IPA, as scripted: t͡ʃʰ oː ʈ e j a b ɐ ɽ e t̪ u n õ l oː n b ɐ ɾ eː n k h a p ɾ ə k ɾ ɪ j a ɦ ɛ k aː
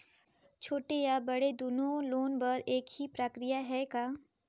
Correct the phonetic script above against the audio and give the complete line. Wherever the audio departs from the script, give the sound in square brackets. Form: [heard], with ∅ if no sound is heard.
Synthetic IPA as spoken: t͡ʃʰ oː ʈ e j a b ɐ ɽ e [d̪] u n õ l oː n b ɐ ɾ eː [∅] k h [i] p ɾ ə k ɾ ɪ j a ɦ ɛ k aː